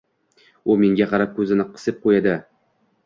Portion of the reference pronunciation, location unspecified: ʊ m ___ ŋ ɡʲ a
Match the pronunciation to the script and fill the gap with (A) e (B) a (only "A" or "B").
A